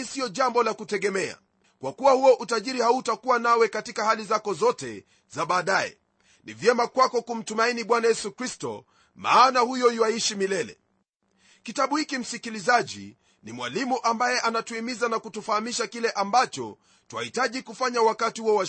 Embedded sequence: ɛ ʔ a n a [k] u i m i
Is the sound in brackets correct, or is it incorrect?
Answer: incorrect